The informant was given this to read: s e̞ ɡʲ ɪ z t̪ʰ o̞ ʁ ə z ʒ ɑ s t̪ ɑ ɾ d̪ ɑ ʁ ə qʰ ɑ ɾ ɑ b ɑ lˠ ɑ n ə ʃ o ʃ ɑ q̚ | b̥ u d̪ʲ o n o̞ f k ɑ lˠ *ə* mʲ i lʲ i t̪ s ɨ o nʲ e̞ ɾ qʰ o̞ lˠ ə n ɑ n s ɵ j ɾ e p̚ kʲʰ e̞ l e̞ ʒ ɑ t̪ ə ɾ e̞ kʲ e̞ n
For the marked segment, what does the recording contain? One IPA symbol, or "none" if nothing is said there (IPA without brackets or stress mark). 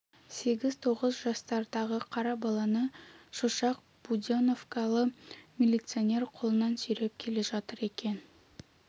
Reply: ə